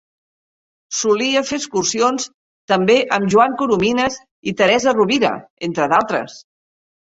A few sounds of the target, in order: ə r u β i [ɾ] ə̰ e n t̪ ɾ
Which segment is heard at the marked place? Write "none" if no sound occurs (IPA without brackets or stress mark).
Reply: ɾ